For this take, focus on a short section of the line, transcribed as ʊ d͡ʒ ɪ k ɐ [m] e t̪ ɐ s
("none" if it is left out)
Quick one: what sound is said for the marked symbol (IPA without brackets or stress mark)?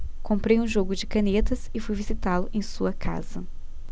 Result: n